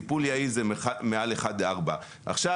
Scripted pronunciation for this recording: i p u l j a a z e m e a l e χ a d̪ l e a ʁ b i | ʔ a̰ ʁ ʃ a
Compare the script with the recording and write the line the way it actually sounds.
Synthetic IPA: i p u l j a i z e m e a l e χ a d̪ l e a ʁ b a | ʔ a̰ χ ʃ a